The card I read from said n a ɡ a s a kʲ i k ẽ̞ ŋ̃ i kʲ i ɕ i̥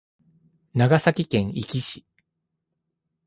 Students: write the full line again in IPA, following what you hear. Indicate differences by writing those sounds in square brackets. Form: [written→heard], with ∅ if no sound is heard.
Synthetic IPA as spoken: n a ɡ a s a kʲ i k ẽ̞ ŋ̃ i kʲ i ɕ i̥